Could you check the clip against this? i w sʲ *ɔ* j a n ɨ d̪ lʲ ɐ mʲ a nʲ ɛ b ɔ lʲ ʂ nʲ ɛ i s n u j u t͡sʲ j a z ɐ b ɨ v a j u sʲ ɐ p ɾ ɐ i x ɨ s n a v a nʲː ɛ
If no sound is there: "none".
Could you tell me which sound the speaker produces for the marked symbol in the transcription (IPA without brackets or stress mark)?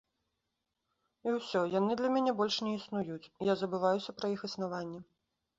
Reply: ɔ